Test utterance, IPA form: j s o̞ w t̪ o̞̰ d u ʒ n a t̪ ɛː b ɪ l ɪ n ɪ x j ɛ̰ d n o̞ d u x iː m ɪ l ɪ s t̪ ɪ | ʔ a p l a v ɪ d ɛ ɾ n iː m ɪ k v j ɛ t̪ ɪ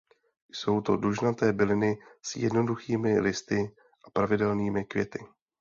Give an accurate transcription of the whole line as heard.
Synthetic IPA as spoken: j s o̞ w t̪ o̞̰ d u ʒ n a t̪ ɛː b ɪ l ɪ n ɪ s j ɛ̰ d n o̞ d u x iː m ɪ l ɪ s t̪ ɪ | ʔ a p ɾ a v ɪ d ɛ l n iː m ɪ k v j ɛ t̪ ɪ

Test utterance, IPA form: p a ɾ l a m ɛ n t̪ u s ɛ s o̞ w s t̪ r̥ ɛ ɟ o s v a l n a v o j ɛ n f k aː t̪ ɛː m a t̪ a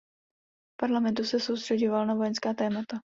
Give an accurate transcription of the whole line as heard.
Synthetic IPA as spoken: p a ɾ l a m ɛ n t̪ u s ɛ s o̞ w s t̪ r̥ ɛ ɟ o v a l n a v o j ɛ n s k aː t̪ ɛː m a t̪ a

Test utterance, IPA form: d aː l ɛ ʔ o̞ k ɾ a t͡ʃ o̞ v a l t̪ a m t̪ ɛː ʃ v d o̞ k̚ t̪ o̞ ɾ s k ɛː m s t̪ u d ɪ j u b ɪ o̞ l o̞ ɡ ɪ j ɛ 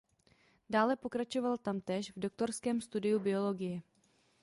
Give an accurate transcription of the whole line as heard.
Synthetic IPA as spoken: d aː l ɛ p o̞ k ɾ a t͡ʃ o̞ v a l t̪ a m t̪ ɛː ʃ v d o̞ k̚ t̪ o̞ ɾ s k ɛː m s t̪ u d ɪ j u b ɪ o̞ l o̞ ɡ ɪ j ɛ

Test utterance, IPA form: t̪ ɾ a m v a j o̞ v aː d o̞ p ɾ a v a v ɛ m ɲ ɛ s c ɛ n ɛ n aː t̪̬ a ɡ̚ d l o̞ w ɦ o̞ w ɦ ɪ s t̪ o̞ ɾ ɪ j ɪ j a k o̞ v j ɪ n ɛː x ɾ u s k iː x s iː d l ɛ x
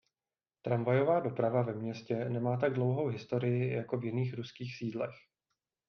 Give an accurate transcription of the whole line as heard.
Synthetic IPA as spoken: t̪ ɾ a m v a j o̞ v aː d o̞ p ɾ a v a v ɛ m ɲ ɛ s c ɛ n ɛ m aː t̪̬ a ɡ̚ d l o̞ w ɦ o̞ w ɦ ɪ s t̪ o̞ ɾ ɪ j ɪ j a k o̞ v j ɪ n iː x ɾ u s k iː x s iː d l ɛ x

